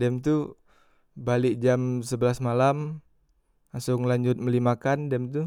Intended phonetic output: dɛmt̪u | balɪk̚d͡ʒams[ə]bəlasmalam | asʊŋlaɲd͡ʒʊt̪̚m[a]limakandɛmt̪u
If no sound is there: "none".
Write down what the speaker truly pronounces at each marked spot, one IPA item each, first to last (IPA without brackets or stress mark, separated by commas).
ə, ə